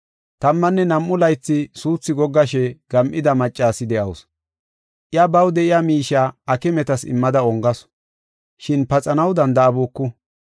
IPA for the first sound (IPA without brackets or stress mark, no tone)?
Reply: t̪